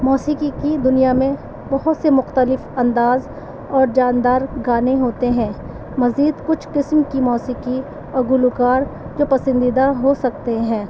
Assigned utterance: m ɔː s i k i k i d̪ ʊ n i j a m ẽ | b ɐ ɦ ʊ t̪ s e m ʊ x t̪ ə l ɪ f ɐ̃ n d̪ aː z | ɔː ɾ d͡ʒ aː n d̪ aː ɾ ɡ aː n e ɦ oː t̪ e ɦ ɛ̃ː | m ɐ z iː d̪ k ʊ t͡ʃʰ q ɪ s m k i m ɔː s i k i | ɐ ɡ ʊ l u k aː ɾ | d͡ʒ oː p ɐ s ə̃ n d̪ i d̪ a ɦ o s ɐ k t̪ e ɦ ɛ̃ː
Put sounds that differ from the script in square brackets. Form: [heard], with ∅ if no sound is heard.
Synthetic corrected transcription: m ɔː s i k i k i d̪ ʊ n i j a m ẽ | b ɐ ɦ ʊ t̪ s e m ʊ x t̪ ə l ɪ f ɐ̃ n d̪ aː z | ɔː ɾ d͡ʒ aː n d̪ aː ɾ ɡ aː n e ɦ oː t̪ e ɦ ɛ̃ː | m ɐ z iː d̪ k ʊ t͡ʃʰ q ɪ s m k i m ɔː s i k i | ɐ ɡ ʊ l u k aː ɾ | d͡ʒ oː p ɐ s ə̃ n d̪ i d̪ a ɦ o s ɐ k t̪ e ɦ ɛ̃ː